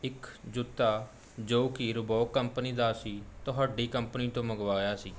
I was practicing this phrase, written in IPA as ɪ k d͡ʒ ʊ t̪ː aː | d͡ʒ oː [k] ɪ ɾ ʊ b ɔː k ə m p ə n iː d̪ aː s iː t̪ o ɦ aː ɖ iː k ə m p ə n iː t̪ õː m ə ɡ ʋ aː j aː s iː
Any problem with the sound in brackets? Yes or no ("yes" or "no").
no